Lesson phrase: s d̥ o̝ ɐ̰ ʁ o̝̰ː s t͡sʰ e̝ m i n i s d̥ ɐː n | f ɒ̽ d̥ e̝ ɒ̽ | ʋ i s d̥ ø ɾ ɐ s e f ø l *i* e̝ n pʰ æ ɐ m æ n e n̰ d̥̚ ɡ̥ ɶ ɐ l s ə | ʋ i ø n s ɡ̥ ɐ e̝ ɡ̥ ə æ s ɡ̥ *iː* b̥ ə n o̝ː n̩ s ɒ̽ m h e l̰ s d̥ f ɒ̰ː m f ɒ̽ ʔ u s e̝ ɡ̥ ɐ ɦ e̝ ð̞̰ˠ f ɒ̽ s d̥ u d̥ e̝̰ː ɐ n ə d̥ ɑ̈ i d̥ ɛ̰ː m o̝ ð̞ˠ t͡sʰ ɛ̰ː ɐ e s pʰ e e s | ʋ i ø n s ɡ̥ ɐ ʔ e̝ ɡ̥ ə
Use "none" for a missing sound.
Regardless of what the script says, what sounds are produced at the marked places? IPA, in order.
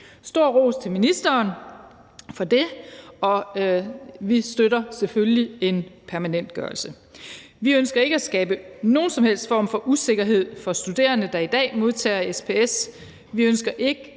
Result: i, ɛː

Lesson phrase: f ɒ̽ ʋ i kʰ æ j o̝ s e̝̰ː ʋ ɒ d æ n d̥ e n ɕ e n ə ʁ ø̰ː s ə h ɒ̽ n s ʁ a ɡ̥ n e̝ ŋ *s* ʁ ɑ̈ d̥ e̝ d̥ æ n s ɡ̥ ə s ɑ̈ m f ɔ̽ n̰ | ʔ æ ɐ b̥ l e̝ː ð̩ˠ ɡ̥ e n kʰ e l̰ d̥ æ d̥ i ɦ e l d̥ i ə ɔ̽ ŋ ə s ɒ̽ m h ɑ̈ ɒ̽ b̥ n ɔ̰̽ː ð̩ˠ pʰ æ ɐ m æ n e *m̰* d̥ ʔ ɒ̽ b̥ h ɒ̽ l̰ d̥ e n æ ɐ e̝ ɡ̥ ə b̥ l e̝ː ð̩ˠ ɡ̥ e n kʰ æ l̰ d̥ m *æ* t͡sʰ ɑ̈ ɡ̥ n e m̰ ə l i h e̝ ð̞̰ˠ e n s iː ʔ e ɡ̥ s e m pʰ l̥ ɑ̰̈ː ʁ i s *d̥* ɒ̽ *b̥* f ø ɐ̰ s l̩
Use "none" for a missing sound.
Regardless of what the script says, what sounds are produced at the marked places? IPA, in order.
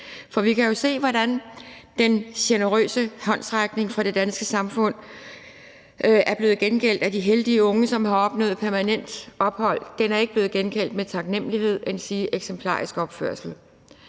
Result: f, n̰, e, ɡ̥, b̥

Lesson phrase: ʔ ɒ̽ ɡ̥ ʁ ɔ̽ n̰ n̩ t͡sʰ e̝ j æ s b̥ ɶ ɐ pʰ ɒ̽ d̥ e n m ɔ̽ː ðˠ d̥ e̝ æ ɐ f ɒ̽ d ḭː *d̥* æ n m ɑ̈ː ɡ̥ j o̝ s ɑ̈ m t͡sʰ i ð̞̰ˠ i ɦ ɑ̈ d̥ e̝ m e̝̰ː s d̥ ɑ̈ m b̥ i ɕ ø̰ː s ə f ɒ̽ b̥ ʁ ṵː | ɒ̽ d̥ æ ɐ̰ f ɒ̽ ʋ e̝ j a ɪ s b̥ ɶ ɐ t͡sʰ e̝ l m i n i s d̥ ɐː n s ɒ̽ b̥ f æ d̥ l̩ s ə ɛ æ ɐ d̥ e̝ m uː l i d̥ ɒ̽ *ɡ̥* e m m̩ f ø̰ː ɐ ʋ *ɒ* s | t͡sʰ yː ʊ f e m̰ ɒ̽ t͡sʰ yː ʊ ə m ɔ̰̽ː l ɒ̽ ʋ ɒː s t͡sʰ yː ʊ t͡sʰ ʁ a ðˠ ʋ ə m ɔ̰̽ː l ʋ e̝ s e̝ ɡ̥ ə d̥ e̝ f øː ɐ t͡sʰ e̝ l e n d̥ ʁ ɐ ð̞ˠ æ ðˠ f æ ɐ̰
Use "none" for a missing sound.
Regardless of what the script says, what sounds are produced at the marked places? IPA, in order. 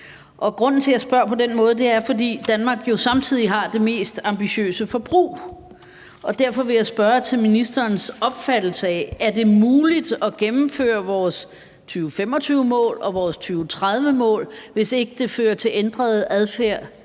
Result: d̥, ɡ̥, ɒː

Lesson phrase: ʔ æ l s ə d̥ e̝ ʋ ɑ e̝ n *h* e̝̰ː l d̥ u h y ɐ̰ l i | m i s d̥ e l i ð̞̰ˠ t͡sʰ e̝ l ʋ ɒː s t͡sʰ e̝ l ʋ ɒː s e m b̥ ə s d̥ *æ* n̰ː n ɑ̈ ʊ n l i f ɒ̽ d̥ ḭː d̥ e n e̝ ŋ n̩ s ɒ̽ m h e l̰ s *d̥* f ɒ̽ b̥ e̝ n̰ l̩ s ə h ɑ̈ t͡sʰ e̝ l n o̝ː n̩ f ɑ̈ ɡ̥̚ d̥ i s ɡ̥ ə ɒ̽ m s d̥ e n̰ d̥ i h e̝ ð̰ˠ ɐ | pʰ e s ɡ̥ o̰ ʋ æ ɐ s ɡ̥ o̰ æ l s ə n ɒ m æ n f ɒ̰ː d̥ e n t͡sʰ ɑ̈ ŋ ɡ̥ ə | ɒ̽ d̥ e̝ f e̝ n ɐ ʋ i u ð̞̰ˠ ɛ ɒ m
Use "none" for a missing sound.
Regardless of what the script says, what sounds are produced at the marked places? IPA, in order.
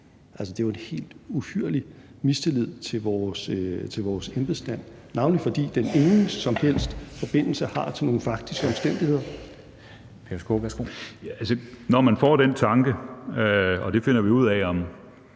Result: h, æ, d̥

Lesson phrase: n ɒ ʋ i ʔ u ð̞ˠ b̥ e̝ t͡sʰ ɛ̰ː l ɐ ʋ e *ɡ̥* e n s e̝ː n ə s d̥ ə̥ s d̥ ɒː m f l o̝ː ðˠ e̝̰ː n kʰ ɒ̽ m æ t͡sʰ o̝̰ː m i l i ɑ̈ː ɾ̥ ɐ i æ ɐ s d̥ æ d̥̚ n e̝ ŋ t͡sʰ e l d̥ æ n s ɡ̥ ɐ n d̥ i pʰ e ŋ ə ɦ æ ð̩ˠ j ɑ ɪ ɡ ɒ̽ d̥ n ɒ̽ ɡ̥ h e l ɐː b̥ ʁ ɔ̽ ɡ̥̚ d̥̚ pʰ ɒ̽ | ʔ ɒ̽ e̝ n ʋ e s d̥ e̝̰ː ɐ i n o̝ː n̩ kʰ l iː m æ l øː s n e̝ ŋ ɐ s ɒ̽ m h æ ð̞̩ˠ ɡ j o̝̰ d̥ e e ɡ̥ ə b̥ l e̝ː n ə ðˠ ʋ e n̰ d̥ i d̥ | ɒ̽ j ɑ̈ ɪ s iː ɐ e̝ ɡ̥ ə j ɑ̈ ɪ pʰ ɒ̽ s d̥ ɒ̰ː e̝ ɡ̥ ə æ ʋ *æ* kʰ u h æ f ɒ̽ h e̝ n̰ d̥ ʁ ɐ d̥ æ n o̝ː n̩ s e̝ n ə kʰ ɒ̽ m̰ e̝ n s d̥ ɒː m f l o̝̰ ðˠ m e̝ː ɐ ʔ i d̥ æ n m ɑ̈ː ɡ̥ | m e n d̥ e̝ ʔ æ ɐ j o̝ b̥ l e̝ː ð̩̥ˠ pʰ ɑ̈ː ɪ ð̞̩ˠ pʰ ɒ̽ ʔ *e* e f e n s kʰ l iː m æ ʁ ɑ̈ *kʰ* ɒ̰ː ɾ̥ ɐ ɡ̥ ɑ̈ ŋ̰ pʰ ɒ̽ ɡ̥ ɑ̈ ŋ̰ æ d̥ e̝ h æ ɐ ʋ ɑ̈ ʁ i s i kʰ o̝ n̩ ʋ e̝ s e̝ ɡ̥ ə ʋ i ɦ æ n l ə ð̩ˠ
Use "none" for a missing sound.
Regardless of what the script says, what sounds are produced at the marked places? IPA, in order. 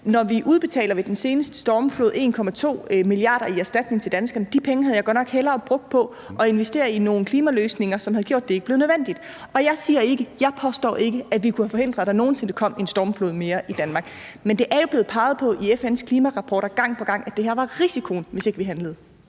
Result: d̥, i, i, pʰ

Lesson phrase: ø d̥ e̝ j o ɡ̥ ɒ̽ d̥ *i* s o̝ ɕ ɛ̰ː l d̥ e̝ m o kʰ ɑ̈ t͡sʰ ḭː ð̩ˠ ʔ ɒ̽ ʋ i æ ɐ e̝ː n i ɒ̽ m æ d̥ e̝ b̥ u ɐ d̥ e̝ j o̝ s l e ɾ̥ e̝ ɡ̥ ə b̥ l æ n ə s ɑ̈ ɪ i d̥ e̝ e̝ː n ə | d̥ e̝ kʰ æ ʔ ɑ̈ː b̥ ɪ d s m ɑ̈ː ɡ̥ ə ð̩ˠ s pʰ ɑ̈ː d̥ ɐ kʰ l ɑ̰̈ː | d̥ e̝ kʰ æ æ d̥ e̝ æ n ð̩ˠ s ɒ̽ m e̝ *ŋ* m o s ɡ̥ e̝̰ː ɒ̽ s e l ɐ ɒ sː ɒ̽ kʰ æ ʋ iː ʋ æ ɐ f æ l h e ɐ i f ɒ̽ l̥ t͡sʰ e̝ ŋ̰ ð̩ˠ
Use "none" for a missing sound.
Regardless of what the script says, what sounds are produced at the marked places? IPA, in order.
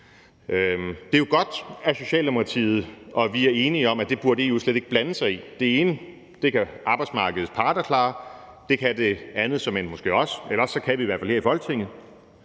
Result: æ, n

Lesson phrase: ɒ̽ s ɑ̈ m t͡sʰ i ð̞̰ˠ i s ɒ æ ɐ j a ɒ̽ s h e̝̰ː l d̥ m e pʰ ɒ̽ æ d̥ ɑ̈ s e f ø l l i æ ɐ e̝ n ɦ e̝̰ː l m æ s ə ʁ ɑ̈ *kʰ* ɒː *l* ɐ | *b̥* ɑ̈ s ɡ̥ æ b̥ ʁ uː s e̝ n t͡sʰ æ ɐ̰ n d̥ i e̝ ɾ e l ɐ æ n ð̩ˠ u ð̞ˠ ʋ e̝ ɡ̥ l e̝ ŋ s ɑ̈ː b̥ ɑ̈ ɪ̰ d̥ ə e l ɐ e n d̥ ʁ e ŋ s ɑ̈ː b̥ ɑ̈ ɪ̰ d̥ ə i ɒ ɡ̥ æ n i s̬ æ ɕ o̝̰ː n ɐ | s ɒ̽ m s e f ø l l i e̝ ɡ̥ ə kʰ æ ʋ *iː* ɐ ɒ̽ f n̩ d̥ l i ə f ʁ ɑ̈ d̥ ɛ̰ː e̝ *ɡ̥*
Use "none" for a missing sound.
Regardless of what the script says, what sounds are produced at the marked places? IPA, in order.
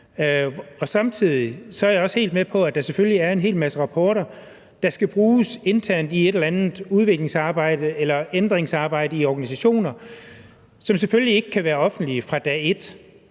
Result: pʰ, ɾ, d̥, æː, d̥

